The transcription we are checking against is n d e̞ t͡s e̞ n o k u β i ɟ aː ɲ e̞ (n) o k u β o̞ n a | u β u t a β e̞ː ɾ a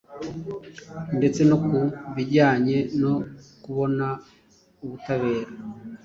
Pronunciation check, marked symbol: correct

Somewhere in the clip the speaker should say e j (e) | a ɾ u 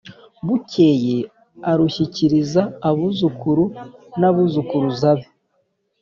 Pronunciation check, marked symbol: correct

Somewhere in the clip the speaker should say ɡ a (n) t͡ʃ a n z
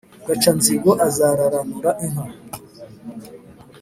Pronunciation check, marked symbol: incorrect: none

